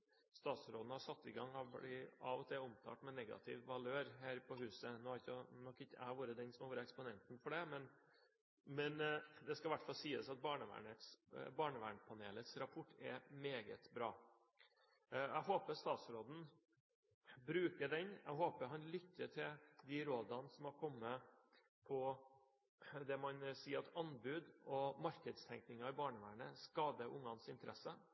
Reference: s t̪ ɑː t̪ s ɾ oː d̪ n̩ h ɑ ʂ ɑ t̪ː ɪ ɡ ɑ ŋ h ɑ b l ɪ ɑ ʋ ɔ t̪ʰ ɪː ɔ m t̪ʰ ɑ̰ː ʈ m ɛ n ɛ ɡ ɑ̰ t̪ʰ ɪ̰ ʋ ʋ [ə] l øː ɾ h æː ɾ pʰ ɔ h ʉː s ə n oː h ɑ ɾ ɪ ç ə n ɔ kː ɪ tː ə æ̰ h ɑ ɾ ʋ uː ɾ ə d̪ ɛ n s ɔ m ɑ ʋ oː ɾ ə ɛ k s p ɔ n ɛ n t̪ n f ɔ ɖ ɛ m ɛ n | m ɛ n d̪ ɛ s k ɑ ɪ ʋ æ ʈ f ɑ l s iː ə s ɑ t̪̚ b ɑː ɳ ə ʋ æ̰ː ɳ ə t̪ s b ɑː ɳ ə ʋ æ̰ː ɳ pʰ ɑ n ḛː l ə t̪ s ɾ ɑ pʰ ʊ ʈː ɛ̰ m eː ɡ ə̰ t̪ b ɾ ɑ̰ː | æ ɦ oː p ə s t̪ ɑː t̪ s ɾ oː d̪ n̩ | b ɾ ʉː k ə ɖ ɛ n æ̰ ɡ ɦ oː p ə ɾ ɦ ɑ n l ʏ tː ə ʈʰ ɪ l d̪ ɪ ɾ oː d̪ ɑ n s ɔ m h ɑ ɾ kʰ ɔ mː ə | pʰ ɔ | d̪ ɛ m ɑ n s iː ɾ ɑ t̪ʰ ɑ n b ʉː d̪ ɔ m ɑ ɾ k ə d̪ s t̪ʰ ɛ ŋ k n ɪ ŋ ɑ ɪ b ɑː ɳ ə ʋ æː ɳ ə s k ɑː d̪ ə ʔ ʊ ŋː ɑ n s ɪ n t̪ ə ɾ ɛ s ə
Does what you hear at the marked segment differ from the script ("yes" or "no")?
yes